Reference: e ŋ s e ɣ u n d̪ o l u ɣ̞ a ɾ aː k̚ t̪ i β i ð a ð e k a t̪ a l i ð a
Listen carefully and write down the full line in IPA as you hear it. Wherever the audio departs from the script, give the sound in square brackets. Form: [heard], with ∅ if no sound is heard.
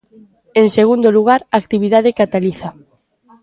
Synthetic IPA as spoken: e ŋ s e ɣ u n d̪ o l u ɣ̞ a ɾ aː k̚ t̪ i β i ð a ð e k a t̪ a l i [θ] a